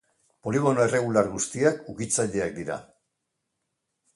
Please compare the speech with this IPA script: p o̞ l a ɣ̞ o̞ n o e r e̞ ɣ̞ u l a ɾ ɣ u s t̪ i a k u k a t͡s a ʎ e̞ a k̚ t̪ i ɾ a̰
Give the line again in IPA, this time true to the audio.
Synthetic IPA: p o̞ l i ɣ̞ o̞ n o e r e̞ ɣ̞ u l a ɾ ɣ u s t̪ i a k u k i t͡s a ʎ e̞ a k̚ d̪ i ɾ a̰